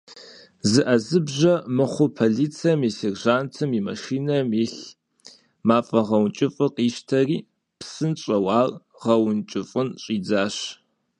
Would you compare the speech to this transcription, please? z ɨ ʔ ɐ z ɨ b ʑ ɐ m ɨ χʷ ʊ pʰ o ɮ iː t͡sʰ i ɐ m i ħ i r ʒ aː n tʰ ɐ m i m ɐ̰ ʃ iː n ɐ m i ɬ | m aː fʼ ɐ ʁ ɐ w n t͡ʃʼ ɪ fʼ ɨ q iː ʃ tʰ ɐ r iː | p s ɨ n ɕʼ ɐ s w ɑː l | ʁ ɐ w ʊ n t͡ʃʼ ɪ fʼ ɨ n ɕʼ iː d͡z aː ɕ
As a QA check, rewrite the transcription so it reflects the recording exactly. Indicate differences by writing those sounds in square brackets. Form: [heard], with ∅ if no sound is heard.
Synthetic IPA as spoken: z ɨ ʔ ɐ z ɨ b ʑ ɐ m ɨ χʷ ʊ pʰ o ɮ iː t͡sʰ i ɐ m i [s] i r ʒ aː n tʰ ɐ m i m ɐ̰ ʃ iː n ɐ m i ɬ | m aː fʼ ɐ ʁ ɐ w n t͡ʃʼ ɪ fʼ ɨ q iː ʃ tʰ ɐ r iː | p s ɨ n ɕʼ ɐ [∅] w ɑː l | ʁ ɐ w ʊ n t͡ʃʼ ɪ fʼ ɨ n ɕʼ iː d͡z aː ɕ